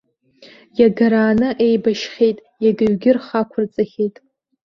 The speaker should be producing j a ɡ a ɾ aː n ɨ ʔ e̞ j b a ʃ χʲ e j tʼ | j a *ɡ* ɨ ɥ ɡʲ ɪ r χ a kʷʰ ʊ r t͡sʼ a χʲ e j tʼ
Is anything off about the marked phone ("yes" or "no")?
no